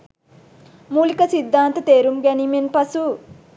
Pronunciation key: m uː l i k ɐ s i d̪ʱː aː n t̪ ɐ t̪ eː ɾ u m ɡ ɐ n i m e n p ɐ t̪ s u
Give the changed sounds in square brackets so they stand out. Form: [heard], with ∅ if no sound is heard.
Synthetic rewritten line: m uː l i k ɐ s i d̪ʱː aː n t̪ ɐ t̪ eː ɾ u m ɡ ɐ n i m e n p ɐ [∅] s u